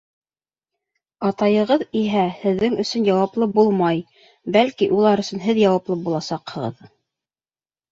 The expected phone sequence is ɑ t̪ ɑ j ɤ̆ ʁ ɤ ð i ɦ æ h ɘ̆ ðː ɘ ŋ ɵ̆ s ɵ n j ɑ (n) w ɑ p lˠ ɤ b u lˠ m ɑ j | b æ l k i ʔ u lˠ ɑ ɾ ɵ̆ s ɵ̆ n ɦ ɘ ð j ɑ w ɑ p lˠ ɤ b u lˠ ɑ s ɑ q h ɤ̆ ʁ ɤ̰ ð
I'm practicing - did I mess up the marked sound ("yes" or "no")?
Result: yes